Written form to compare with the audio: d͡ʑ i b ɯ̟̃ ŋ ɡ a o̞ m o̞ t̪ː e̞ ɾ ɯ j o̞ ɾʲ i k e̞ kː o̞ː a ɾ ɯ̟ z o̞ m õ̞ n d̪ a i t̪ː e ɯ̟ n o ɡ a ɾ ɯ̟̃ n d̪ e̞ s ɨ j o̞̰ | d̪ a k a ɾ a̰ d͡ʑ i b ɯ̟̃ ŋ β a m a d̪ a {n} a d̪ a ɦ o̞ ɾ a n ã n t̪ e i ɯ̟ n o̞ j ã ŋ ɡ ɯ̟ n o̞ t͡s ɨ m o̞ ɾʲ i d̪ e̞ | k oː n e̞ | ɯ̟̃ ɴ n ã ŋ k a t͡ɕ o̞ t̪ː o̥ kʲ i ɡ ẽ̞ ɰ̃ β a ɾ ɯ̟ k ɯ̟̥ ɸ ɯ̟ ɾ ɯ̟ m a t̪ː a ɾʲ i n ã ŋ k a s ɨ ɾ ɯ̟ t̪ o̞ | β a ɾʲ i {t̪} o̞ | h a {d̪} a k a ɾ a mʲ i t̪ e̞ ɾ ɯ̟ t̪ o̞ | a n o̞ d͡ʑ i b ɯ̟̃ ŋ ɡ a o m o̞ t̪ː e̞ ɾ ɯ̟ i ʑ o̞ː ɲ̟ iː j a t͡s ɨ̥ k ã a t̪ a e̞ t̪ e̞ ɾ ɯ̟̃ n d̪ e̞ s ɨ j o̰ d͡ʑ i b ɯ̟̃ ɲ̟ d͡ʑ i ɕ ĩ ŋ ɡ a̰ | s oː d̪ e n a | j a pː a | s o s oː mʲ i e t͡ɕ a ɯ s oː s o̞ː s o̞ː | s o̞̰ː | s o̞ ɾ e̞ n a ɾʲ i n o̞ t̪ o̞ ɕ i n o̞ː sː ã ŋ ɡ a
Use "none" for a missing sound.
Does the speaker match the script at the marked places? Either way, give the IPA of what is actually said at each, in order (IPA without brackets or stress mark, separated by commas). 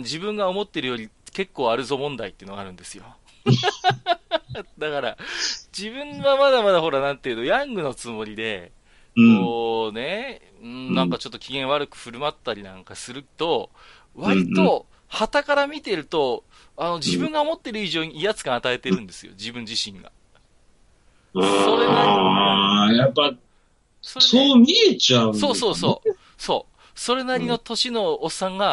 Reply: m, t̪, t̪